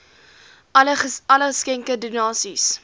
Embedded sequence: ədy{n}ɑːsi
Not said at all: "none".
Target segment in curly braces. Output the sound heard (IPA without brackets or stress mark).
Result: n